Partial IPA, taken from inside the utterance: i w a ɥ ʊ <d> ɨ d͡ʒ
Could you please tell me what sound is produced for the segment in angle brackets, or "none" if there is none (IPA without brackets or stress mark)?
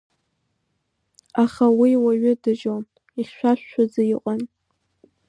d